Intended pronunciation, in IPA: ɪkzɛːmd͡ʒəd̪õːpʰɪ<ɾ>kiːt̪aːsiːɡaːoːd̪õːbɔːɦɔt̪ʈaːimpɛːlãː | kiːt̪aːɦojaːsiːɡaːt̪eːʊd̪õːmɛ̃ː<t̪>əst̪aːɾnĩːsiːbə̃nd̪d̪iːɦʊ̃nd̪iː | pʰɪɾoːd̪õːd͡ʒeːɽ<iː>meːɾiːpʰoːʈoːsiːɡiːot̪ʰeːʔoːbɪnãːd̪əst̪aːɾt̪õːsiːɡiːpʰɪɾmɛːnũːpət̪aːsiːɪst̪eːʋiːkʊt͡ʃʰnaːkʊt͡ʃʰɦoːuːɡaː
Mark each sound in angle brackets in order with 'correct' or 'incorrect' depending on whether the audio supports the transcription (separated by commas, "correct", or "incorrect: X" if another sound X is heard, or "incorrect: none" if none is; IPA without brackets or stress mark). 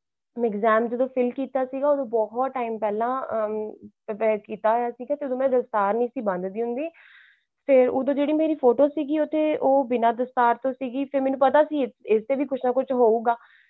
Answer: incorrect: l, incorrect: d̪, correct